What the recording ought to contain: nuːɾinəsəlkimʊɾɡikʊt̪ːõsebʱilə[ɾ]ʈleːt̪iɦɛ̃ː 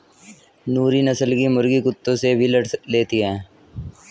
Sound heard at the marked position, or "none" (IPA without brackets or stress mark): none